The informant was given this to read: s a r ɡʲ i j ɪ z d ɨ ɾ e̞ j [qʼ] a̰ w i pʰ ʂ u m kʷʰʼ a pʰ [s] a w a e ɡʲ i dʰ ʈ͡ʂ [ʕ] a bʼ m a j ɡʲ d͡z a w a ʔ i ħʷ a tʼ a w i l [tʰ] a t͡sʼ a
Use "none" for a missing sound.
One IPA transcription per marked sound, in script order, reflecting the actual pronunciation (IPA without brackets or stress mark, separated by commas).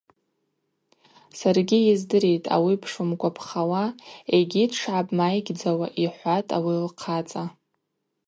tʼ, χ, ʕ, qʰ